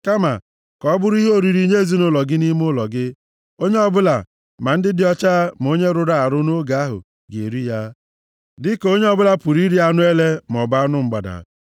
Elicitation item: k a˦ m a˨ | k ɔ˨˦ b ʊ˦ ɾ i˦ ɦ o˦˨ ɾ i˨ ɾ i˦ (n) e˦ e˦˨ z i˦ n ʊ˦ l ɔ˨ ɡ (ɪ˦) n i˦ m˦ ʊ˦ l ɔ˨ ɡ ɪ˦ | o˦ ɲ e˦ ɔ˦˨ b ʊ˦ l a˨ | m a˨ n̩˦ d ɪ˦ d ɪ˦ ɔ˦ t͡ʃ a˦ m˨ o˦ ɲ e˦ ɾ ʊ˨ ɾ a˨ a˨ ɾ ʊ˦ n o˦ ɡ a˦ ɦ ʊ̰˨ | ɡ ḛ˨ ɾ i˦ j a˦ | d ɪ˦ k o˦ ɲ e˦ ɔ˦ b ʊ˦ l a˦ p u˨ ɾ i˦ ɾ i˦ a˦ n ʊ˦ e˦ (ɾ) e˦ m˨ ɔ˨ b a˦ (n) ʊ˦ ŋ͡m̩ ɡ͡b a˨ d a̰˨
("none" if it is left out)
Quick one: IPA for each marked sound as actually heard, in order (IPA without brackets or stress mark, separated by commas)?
ɲ, ɪ˦, l, n